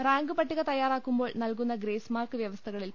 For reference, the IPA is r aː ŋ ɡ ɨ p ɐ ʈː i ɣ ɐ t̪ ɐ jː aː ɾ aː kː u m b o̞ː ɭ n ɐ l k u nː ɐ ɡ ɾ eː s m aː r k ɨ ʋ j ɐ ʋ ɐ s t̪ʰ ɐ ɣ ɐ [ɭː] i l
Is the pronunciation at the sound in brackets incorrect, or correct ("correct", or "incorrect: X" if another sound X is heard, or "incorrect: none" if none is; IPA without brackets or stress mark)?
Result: incorrect: ɭ